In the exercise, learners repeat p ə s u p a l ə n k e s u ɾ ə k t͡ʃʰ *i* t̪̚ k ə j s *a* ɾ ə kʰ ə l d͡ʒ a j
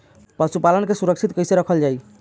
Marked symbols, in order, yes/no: yes, no

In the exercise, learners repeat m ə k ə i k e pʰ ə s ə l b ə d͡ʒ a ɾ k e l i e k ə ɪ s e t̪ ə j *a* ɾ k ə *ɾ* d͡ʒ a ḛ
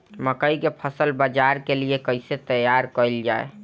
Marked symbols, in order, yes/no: yes, no

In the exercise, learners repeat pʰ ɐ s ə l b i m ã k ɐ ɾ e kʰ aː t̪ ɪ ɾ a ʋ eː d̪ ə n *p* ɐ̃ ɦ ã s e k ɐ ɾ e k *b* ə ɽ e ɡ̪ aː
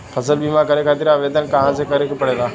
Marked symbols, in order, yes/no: no, no

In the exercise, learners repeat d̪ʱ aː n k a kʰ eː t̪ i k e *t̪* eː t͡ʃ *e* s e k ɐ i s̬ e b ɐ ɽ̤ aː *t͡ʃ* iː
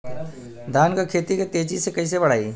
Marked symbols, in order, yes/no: yes, no, no

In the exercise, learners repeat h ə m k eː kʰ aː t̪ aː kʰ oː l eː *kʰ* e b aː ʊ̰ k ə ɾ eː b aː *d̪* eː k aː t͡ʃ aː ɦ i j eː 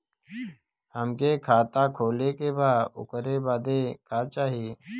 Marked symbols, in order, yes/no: no, yes

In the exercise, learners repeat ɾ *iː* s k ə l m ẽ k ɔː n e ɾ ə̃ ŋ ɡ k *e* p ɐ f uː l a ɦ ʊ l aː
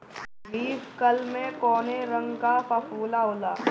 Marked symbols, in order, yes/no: yes, no

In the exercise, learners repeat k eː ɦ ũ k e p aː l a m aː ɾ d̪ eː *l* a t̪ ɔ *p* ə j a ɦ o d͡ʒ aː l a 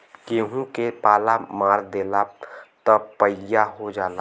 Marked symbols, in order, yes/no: yes, yes

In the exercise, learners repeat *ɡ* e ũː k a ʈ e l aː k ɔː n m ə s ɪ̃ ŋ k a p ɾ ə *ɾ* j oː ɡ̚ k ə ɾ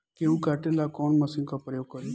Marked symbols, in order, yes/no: no, no

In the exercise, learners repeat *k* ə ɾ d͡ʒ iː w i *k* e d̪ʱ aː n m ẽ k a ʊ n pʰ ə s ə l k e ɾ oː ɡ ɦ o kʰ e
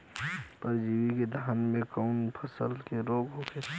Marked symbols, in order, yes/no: no, yes

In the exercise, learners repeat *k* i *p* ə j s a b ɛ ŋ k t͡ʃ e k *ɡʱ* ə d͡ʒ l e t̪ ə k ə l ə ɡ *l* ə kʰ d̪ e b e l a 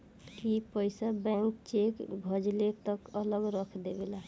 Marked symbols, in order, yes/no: yes, yes, no, no

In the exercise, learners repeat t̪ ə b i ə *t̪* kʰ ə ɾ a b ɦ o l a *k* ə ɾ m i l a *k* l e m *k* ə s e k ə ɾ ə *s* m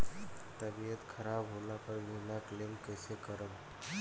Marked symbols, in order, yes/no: yes, no, yes, yes, no

